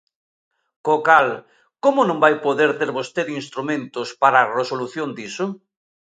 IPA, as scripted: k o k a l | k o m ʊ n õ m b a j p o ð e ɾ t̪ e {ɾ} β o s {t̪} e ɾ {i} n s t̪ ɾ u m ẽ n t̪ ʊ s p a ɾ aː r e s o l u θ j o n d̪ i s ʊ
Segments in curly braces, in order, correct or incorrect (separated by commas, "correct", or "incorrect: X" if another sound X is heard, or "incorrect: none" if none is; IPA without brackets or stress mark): correct, correct, correct